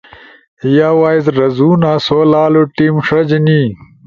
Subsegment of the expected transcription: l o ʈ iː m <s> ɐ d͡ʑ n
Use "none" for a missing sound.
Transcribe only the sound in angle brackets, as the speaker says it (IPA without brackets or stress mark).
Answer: ʂ